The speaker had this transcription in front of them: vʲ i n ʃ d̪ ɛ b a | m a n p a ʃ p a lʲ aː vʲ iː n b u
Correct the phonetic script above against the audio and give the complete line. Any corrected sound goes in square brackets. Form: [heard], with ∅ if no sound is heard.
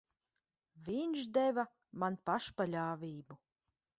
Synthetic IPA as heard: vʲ i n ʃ d̪ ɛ [v] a | m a n p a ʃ p a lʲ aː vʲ iː [∅] b u